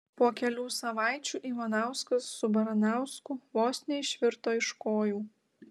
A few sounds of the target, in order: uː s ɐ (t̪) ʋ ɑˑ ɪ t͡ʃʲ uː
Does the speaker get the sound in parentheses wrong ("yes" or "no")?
yes